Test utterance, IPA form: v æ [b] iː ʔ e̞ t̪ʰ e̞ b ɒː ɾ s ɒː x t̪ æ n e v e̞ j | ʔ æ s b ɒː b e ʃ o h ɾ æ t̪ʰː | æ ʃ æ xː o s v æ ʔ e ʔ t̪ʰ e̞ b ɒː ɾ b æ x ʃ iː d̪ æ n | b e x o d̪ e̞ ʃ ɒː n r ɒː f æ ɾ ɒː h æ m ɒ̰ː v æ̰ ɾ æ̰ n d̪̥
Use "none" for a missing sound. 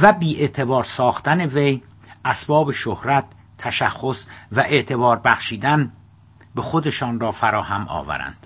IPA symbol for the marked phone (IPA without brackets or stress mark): b